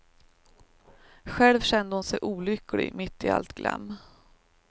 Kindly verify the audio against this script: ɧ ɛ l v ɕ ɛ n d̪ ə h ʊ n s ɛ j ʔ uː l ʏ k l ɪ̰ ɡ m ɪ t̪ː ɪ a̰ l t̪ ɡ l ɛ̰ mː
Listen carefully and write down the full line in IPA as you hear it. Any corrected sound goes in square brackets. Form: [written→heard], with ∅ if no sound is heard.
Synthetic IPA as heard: ɧ ɛ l v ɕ ɛ n d̪ ə h ʊ n s ɛ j ʔ uː l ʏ k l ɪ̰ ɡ m ɪ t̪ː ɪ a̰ l t̪ ɡ l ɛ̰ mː

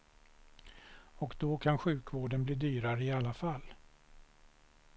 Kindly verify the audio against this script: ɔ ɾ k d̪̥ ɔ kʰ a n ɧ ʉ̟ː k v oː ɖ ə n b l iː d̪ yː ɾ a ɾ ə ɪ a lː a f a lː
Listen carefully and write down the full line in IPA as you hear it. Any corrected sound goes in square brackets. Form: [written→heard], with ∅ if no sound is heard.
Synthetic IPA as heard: ɔ [ɾ→∅] k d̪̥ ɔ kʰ a n ɧ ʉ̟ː k v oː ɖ ə n b l iː d̪ yː ɾ a ɾ ə ɪ a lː a f a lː

